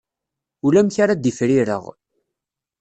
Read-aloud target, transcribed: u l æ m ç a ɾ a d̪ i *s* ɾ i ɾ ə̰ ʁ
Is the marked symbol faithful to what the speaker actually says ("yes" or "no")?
no